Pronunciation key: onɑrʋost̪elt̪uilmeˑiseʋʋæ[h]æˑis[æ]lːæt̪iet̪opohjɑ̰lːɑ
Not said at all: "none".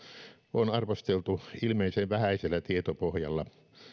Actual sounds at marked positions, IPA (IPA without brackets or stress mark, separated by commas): h, e